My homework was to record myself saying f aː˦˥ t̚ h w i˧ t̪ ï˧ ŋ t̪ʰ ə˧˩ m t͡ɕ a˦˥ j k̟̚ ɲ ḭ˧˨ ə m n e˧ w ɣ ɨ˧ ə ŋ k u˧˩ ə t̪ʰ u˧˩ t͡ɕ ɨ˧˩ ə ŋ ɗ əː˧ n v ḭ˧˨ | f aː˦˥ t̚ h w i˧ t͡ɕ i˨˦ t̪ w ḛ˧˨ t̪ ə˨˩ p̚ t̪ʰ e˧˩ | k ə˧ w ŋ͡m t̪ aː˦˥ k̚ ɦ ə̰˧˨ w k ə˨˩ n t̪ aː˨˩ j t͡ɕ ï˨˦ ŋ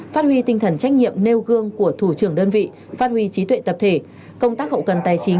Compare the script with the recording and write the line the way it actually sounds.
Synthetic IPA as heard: f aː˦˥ t̚ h w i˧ t̪ ï˧ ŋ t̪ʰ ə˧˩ n t͡ɕ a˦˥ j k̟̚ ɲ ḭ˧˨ ə m n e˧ w ɣ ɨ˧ ə ŋ k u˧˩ ə t̪ʰ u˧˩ t͡ɕ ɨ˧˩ ə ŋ ɗ əː˧ n v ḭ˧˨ | f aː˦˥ t̚ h w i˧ t͡ɕ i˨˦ t̪ w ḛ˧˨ t̪ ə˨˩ p̚ t̪ʰ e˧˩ | k ə˧ w ŋ͡m t̪ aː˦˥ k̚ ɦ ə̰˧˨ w k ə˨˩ n t̪ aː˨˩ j t͡ɕ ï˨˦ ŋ